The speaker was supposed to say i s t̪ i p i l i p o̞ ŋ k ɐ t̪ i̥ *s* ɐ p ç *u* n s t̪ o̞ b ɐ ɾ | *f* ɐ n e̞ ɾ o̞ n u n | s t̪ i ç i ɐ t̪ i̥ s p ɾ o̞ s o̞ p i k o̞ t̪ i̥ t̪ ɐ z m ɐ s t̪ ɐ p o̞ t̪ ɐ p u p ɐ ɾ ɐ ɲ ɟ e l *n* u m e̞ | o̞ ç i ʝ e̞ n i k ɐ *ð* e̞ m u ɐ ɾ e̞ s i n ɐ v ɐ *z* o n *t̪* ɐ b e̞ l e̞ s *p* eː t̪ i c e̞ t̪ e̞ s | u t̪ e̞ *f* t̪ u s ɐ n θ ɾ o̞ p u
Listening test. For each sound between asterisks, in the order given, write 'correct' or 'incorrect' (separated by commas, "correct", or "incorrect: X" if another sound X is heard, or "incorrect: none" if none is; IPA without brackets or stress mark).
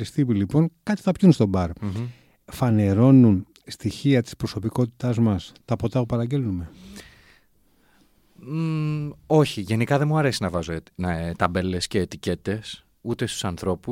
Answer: incorrect: θ, correct, correct, correct, correct, correct, correct, incorrect: c, incorrect: s